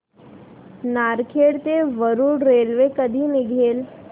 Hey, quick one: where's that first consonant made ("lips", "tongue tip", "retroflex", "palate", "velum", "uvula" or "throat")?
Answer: tongue tip